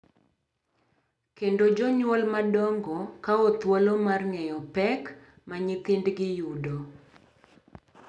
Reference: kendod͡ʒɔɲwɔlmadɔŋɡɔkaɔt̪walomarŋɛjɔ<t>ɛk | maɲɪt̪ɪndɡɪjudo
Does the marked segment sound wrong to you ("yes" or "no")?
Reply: yes